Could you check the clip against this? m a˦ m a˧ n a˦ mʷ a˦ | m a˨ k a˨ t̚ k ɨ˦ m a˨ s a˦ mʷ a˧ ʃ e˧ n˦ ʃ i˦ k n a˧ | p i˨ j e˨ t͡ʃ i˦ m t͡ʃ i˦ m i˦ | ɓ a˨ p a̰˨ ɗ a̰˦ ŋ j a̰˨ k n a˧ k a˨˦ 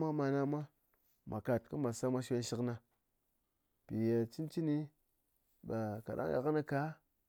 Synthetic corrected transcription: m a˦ m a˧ n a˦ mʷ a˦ | m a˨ k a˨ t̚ k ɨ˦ m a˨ s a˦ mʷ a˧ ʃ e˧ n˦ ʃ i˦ k n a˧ | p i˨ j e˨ t͡ʃ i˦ n t͡ʃ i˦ n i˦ | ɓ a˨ k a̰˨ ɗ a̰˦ ŋ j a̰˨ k n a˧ k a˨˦